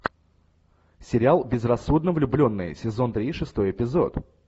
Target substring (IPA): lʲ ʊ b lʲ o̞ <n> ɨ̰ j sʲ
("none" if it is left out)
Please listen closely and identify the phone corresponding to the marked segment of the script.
nː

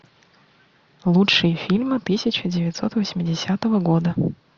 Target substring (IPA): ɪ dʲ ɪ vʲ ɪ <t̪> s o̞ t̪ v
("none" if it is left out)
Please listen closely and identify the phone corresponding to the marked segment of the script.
t̪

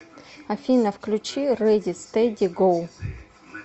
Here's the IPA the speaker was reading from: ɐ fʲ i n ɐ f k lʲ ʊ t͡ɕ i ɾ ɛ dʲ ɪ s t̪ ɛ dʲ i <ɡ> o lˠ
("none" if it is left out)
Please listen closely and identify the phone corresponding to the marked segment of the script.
ɡ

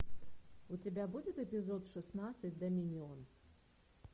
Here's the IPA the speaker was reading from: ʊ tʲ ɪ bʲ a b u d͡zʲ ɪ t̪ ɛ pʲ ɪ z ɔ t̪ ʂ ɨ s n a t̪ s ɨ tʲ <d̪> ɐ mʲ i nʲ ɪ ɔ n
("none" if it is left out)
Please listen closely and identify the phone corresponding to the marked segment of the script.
d̪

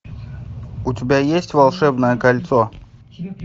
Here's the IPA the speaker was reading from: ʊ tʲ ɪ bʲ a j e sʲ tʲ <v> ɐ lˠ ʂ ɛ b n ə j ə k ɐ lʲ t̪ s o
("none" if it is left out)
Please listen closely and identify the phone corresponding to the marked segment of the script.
v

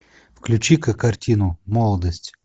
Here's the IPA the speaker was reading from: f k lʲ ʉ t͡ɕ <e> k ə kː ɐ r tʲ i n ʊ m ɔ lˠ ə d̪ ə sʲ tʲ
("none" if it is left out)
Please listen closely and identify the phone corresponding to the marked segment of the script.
i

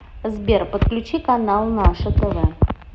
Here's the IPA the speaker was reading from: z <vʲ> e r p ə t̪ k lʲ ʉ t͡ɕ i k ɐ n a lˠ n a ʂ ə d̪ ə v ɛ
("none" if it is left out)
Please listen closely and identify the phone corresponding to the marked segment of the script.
bʲ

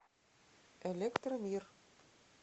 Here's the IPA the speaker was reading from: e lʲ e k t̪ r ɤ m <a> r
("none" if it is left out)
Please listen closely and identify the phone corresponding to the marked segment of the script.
i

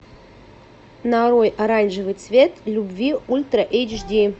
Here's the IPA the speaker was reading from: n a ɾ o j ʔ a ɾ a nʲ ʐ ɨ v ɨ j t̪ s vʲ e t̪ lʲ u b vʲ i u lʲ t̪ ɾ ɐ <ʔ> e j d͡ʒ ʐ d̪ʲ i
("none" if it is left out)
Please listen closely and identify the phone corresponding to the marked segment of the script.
ʔ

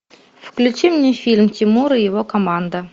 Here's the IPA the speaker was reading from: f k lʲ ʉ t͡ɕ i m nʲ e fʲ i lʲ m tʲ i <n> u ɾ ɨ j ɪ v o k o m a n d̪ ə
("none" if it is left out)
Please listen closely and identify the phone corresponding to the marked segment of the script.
m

